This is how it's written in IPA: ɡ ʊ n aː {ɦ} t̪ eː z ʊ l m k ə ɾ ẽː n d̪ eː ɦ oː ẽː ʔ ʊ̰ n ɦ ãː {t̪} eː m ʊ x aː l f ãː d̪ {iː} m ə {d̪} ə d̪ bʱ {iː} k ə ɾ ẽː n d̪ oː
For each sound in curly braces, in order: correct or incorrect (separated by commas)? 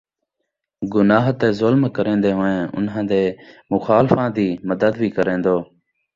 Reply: correct, incorrect, correct, correct, correct